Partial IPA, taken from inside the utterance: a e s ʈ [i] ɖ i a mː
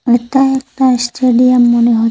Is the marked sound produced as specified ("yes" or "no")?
no